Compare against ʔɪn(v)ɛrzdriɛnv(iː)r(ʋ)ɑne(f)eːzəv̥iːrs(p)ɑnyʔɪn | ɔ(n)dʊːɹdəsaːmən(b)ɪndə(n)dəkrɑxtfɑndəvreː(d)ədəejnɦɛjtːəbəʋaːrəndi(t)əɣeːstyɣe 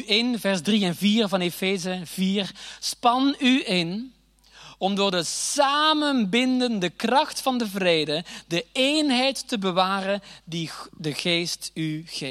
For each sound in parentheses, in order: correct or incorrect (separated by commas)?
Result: correct, correct, incorrect, correct, correct, incorrect, correct, correct, correct, incorrect